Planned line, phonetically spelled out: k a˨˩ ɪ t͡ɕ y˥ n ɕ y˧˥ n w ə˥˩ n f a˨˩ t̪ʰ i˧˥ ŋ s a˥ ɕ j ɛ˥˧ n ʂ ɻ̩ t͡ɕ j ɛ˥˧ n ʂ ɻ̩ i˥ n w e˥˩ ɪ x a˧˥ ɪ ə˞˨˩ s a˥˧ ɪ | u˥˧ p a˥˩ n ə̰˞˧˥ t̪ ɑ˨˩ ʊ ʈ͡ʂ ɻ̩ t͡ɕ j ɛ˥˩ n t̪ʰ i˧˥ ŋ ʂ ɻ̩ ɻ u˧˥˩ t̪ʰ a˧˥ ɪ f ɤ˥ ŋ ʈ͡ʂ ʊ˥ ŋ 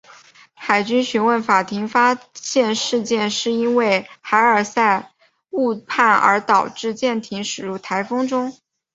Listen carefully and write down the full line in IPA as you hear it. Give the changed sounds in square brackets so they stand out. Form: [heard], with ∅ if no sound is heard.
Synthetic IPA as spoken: [x] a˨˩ ɪ t͡ɕ y˥ n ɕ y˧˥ n w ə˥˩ n f a˨˩ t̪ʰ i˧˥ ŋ [f] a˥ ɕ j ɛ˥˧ n ʂ ɻ̩ t͡ɕ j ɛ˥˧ n ʂ ɻ̩ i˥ n w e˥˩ ɪ x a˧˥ ɪ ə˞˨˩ s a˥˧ ɪ | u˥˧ [pʰ] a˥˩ n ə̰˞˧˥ t̪ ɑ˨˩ ʊ ʈ͡ʂ ɻ̩ t͡ɕ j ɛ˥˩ n t̪ʰ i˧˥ ŋ ʂ ɻ̩ ɻ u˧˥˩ t̪ʰ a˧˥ ɪ f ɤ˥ ŋ ʈ͡ʂ ʊ˥ ŋ